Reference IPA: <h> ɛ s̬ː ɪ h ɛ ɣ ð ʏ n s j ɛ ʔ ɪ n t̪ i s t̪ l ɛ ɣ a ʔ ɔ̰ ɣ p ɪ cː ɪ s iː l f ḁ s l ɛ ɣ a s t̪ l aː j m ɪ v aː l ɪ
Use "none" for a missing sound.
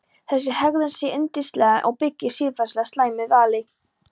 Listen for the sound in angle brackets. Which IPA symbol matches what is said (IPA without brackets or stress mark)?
θ